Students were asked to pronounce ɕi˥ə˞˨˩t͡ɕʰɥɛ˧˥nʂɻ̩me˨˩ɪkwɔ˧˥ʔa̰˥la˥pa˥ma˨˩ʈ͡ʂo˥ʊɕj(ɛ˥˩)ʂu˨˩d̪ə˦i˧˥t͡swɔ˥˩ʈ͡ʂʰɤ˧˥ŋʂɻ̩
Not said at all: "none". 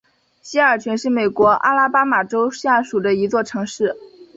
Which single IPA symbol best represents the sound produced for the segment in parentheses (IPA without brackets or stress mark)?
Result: a˥˩